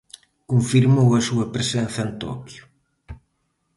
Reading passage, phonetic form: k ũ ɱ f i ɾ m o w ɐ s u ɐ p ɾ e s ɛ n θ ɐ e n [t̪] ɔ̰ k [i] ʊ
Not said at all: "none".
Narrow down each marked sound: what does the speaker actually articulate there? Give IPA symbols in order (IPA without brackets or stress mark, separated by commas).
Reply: t̪, j